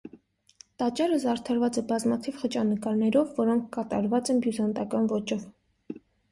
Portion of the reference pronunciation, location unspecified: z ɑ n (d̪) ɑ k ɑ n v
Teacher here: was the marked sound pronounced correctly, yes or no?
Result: no